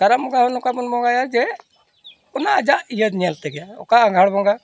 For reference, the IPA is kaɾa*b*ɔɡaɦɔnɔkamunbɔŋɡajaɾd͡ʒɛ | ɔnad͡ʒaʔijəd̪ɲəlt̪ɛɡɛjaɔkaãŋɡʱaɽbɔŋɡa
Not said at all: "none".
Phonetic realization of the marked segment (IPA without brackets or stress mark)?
m